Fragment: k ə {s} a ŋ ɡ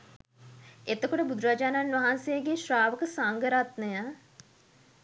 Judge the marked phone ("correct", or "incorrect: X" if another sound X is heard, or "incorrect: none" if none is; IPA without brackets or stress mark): correct